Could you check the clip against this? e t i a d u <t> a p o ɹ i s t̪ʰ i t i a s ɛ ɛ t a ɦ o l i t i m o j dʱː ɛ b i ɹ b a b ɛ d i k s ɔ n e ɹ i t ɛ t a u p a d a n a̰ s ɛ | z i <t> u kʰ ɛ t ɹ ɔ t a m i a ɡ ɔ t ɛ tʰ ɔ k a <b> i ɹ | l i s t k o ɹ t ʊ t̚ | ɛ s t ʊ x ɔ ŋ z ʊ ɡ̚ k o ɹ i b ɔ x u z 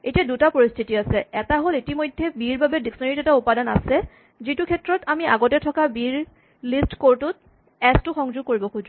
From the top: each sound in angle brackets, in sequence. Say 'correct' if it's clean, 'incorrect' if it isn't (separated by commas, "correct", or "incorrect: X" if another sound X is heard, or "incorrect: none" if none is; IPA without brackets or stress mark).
correct, correct, correct